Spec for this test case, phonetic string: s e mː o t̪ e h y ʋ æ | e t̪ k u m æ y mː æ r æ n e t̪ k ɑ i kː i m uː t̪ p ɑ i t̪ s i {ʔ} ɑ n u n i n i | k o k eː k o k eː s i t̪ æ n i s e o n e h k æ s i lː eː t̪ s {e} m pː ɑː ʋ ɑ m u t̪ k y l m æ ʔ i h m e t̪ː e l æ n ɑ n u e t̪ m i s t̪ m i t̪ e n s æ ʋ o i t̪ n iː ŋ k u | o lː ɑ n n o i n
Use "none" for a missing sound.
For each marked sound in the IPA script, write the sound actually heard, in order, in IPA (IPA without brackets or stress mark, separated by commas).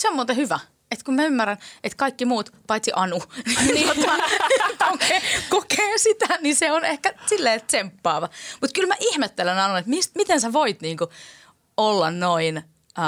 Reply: ʔ, e